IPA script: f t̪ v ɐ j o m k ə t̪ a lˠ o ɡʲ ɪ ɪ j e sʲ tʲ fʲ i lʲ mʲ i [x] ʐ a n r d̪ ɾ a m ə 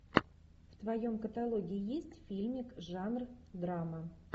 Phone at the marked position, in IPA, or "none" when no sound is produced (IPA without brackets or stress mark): k